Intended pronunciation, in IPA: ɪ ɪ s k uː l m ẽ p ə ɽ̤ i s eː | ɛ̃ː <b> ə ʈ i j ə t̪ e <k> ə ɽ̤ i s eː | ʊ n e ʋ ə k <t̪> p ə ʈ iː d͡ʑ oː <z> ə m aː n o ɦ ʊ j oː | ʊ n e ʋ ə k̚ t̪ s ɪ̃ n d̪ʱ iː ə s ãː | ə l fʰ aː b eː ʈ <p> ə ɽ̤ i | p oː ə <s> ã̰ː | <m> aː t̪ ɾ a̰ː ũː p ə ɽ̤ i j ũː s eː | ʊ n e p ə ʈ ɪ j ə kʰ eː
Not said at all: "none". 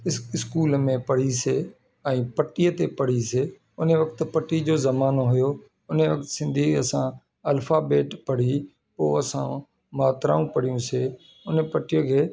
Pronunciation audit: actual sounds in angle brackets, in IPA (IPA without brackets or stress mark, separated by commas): p, p, t̪, z, p, s, m